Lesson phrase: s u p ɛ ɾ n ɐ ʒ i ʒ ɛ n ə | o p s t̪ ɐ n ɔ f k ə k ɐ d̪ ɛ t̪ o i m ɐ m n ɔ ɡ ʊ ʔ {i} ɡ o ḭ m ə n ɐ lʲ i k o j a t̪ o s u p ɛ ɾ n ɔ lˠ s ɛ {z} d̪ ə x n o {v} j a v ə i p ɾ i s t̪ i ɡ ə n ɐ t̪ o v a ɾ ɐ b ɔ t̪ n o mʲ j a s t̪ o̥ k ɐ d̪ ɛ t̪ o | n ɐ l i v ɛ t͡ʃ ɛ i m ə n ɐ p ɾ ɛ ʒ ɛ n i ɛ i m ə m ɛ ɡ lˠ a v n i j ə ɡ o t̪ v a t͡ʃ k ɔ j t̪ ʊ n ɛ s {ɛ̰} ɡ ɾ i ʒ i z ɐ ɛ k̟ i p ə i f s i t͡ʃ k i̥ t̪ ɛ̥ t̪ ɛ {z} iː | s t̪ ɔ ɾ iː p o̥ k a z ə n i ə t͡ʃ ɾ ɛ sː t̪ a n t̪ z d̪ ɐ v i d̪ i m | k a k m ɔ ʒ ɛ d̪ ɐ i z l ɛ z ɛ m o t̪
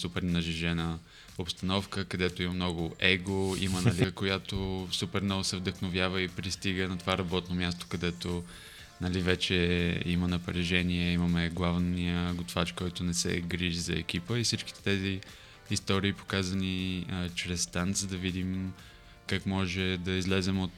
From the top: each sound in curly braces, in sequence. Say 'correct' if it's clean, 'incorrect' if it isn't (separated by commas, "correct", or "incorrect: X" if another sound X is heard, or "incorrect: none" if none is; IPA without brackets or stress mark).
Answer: incorrect: ɛ, incorrect: v, correct, correct, correct